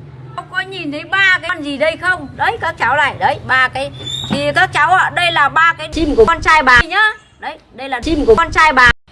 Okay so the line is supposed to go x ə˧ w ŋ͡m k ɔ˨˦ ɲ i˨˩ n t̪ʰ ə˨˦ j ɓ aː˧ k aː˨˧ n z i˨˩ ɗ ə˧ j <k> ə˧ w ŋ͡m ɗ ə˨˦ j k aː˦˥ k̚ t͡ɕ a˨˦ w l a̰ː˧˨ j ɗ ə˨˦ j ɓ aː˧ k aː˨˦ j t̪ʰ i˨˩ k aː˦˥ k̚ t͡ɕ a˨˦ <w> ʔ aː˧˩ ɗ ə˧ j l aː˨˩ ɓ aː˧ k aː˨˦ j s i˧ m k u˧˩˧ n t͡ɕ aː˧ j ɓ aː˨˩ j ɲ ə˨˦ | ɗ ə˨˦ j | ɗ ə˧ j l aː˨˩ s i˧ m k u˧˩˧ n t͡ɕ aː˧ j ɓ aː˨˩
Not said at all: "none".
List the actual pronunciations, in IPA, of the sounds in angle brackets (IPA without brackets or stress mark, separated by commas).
x, w